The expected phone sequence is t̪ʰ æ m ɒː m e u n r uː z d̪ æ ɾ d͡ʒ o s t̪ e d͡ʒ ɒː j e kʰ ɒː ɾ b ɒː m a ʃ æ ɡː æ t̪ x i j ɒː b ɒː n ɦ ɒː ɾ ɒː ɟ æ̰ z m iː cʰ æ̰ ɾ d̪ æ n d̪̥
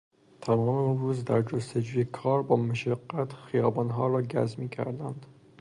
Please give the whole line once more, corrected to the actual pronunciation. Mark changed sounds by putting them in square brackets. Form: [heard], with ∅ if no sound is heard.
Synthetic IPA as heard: t̪ʰ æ m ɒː m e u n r uː z d̪ æ ɾ d͡ʒ o s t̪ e d͡ʒ [uː] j e kʰ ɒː ɾ b ɒː m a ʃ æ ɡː æ t̪ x i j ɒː b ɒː n ɦ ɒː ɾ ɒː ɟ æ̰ z m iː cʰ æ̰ ɾ d̪ æ n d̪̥